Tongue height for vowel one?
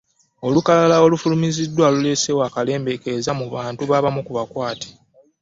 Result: mid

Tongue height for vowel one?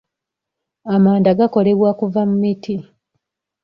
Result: low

